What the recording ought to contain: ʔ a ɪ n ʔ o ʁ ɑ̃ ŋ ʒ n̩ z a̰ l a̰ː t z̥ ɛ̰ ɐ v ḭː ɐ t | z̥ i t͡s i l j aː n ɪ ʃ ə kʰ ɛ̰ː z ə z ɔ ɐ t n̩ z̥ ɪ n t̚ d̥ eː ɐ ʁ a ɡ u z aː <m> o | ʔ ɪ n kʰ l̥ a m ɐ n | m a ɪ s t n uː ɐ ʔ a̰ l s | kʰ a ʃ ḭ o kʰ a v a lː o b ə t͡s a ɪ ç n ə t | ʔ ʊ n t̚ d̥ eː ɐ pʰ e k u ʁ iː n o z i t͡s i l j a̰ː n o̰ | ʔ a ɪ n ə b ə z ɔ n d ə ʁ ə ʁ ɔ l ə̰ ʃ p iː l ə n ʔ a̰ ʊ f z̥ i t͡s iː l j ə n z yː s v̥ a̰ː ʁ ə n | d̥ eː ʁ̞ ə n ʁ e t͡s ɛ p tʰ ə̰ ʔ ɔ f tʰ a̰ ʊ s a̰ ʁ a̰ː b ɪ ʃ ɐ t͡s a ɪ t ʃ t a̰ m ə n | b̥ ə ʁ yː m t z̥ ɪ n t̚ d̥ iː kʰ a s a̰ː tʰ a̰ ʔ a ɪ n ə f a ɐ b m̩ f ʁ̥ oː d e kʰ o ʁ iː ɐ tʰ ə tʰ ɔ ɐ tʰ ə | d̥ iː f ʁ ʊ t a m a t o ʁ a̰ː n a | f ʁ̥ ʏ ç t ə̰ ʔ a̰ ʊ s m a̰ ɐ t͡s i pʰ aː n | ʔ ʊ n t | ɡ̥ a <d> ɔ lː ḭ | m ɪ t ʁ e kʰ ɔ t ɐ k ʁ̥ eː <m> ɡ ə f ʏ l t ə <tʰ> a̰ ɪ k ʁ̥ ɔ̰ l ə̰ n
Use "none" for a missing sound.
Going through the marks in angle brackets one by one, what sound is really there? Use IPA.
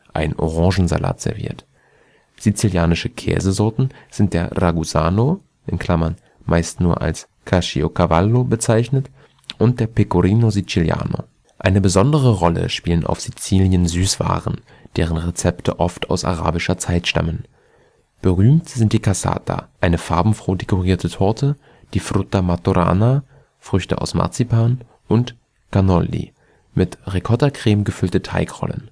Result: n, n, m, tʰ

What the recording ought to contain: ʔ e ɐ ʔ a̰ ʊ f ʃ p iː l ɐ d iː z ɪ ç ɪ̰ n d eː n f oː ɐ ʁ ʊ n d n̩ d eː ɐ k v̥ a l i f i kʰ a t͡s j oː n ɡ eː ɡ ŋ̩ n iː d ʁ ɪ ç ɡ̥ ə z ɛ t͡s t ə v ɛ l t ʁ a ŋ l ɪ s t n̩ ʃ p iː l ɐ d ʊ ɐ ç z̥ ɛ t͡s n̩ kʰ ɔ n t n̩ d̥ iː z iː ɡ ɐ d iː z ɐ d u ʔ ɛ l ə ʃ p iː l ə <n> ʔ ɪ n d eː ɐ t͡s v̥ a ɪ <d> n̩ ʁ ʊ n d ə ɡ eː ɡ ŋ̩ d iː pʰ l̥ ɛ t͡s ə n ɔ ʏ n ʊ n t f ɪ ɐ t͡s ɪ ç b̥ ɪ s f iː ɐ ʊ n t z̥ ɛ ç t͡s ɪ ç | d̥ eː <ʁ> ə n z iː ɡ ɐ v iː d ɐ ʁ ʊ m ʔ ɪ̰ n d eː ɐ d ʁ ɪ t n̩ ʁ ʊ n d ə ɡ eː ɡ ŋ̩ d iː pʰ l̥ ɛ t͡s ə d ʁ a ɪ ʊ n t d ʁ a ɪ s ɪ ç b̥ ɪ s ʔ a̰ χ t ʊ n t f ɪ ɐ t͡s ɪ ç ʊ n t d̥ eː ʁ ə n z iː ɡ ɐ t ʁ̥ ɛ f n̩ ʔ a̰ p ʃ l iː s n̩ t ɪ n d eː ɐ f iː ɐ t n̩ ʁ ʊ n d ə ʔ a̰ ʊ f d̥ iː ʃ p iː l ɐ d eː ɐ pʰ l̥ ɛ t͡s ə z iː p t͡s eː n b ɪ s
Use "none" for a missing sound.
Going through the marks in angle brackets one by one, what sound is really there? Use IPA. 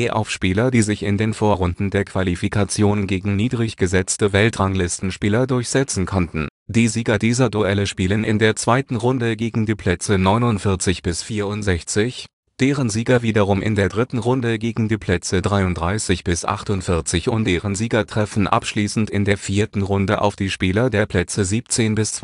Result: n, t, ʁ

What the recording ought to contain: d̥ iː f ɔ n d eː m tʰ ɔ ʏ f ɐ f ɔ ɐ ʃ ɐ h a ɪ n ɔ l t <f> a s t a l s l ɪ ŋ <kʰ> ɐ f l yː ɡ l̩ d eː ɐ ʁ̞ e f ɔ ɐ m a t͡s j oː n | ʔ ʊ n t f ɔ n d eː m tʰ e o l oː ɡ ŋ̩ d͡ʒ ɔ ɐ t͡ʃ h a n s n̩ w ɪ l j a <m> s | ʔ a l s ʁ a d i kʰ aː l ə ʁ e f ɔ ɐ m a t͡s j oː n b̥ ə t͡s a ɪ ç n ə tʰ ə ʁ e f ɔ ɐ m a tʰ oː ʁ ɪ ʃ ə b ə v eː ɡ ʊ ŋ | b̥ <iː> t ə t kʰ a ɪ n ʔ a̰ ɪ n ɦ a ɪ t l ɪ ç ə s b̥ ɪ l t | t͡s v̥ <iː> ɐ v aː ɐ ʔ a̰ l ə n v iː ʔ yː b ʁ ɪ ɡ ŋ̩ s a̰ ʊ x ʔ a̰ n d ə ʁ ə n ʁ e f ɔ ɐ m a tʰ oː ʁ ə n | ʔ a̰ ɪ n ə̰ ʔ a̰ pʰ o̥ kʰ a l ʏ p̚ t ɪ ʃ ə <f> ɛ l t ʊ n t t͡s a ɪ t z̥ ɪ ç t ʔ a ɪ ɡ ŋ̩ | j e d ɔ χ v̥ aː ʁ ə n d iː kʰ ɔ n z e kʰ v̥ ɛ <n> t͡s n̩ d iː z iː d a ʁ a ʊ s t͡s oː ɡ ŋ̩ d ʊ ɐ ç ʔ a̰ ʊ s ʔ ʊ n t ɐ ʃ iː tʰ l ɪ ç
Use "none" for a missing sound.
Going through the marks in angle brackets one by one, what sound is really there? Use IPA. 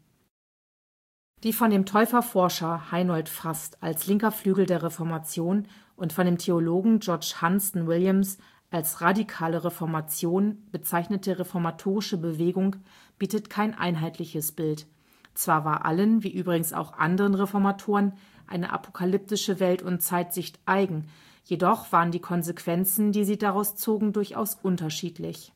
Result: f, k, m, iː, aː, v, n

